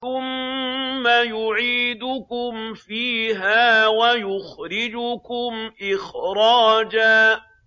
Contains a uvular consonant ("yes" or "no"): no